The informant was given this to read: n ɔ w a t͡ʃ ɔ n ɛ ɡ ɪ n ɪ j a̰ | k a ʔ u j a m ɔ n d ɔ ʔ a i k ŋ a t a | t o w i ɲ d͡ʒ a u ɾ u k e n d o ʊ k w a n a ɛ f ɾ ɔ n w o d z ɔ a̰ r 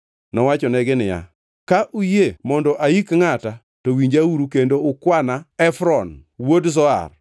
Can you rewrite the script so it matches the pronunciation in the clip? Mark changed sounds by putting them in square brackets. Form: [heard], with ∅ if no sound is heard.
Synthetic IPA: n ɔ w a t͡ʃ ɔ n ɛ ɡ ɪ n ɪ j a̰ | k a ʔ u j [e] m ɔ n d ɔ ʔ a i k ŋ a t a | t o w i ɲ d͡ʒ a u ɾ u k e n d o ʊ k w a n a ɛ f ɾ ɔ n w o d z ɔ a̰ r